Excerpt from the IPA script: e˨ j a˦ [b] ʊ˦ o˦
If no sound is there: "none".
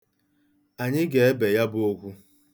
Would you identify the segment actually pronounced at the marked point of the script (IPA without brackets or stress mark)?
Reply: b